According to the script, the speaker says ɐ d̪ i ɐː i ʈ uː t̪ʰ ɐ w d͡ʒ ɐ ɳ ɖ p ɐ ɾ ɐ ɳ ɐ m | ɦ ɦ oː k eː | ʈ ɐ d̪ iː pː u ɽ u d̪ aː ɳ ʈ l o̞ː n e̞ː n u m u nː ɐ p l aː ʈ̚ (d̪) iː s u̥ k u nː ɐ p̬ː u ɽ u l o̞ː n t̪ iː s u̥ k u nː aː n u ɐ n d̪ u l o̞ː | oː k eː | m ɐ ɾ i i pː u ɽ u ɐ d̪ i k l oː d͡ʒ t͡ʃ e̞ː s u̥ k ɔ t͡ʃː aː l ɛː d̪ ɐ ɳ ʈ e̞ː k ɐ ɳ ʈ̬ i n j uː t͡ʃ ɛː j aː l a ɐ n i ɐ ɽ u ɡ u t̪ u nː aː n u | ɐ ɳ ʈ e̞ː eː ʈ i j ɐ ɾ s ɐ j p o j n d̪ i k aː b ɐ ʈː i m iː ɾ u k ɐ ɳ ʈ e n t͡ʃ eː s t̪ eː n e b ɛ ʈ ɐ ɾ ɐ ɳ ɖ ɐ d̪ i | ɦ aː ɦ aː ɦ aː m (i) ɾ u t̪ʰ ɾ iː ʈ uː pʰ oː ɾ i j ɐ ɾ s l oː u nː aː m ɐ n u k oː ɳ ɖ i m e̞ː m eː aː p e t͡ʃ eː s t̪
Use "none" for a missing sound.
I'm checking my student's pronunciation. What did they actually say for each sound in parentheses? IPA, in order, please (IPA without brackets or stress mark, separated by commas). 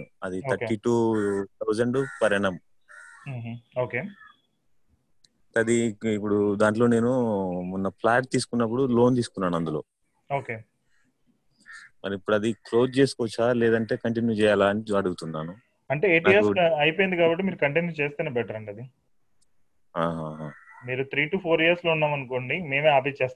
t̪, iː